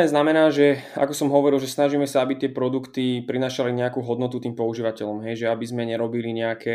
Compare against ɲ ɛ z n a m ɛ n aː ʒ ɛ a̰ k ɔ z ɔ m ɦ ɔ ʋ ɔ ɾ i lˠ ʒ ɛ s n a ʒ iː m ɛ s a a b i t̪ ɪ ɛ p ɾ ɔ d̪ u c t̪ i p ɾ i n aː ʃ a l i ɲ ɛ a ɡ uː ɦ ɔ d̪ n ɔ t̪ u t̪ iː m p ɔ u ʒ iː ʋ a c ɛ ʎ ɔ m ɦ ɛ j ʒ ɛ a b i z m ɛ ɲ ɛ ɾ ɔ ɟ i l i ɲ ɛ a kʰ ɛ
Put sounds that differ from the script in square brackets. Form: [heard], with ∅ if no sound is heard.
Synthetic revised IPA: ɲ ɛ z n a m ɛ n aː ʒ ɛ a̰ k ɔ [s] ɔ m ɦ ɔ ʋ ɔ ɾ i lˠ ʒ ɛ s n a ʒ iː m ɛ s a a b i t̪ ɪ ɛ p ɾ ɔ d̪ u [k] t̪ i p ɾ i n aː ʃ a l i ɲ ɛ a [k] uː ɦ ɔ d̪ n ɔ t̪ u t̪ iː m p ɔ u ʒ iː ʋ a c ɛ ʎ ɔ m ɦ ɛ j ʒ ɛ a b i z m ɛ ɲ ɛ ɾ ɔ [b] i l i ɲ ɛ a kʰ ɛ